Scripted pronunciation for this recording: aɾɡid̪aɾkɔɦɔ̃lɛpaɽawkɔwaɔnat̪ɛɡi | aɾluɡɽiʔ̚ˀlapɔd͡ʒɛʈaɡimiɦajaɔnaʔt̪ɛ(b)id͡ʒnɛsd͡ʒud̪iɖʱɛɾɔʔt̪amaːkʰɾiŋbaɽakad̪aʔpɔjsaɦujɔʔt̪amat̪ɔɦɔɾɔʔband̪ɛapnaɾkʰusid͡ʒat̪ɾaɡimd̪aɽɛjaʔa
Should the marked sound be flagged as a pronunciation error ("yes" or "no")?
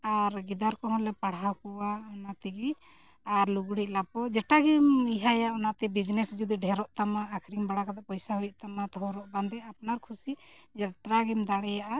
no